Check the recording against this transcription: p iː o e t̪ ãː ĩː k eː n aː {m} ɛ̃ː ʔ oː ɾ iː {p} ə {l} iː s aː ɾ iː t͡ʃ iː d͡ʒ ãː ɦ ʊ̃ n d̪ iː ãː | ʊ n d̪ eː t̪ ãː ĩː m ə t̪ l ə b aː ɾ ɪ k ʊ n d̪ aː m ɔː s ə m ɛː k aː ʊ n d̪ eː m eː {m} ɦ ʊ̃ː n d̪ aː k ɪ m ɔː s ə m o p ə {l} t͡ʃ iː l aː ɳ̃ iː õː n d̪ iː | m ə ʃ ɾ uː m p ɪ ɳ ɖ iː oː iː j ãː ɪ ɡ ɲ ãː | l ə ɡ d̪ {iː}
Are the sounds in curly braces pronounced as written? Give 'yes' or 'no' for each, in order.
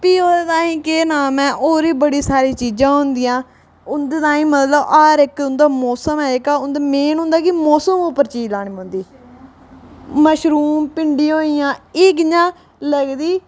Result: yes, no, no, no, no, yes

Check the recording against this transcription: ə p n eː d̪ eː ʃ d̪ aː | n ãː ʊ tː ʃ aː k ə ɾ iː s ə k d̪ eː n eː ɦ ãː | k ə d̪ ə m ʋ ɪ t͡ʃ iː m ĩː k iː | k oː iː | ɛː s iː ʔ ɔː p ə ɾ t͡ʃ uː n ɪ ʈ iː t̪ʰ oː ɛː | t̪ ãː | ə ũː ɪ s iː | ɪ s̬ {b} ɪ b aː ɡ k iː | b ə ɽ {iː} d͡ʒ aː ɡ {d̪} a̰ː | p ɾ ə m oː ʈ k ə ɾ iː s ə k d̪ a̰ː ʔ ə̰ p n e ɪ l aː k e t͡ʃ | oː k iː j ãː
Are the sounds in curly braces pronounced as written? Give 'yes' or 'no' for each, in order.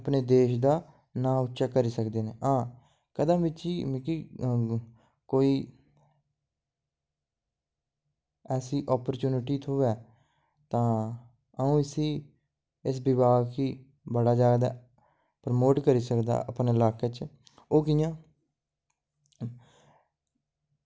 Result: yes, no, yes

